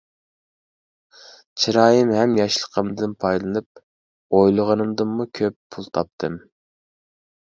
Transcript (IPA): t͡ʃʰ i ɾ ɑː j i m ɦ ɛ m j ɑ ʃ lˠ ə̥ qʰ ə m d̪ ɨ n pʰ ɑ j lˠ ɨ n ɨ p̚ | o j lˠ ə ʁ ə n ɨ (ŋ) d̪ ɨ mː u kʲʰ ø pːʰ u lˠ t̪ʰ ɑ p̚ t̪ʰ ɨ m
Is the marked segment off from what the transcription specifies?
yes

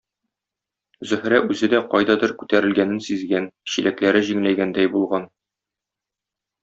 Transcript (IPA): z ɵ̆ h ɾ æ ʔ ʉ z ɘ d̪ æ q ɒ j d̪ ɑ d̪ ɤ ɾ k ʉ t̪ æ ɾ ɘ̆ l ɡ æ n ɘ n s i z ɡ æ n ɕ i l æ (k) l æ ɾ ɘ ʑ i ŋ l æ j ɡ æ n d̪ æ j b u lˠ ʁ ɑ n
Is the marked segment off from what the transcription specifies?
no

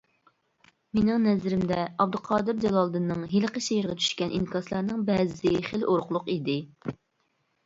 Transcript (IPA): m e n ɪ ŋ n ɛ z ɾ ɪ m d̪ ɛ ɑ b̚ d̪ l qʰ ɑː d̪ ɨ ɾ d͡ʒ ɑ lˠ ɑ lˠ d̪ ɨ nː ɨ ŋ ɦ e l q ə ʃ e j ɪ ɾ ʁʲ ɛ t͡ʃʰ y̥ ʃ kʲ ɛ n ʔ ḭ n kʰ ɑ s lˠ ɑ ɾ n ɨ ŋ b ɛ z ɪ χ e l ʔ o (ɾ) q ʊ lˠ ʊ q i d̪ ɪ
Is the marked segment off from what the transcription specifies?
no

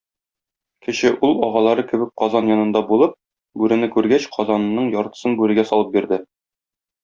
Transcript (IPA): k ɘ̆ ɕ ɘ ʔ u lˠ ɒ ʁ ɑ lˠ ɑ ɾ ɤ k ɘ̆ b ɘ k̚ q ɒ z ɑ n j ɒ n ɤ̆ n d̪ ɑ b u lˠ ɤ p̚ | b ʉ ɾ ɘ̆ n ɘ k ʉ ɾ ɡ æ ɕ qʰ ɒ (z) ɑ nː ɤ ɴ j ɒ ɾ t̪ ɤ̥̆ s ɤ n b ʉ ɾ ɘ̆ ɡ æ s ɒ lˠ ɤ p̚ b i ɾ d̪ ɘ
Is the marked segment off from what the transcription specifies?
no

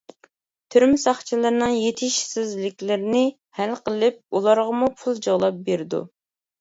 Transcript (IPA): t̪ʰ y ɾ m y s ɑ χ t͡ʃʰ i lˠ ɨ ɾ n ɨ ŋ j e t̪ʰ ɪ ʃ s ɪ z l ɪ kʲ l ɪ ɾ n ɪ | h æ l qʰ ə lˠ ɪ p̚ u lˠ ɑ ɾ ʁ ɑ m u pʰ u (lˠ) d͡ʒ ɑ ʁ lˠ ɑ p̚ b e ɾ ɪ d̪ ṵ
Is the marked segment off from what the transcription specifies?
no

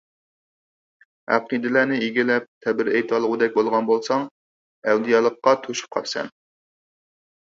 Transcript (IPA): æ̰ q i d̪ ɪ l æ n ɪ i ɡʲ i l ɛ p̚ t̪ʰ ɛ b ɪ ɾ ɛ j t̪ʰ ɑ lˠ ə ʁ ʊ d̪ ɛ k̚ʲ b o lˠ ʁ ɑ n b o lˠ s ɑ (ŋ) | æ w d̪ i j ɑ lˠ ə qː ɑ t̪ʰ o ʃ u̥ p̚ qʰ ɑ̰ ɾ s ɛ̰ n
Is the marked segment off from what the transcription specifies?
no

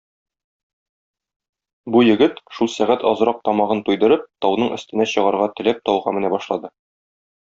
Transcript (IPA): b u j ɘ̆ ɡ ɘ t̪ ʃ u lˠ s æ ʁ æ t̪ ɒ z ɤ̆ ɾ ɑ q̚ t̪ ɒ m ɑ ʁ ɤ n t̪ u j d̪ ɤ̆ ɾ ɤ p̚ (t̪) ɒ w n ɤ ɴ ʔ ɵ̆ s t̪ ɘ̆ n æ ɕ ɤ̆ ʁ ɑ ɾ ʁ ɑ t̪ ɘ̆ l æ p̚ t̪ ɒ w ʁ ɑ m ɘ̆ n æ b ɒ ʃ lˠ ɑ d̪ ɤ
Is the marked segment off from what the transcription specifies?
no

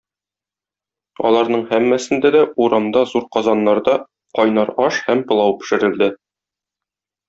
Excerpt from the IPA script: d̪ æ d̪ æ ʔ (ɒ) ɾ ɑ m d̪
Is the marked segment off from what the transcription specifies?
yes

